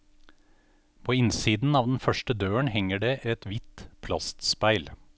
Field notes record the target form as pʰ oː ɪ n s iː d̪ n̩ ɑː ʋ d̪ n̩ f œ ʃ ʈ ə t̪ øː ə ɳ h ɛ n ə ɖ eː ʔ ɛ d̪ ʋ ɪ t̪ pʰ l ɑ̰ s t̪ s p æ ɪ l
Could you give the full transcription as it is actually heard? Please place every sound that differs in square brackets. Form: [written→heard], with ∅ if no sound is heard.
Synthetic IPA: pʰ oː ɪ n s iː d̪ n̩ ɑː ʋ d̪ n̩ f œ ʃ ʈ ə [t̪→d̪] øː ə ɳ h ɛ [n→ŋ] ə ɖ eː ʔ ɛ [d̪→t̪] ʋ ɪ t̪ pʰ l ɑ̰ s t̪ s p æ ɪ l